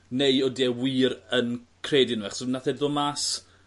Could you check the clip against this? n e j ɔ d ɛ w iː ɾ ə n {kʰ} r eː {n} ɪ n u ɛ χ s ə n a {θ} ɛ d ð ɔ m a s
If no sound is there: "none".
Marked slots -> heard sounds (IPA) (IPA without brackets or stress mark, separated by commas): kʰ, d, θ